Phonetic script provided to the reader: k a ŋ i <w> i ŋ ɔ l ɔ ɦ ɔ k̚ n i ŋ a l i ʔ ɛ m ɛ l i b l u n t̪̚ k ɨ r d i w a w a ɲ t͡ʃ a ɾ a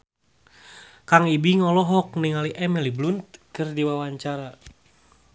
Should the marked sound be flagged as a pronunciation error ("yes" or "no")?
yes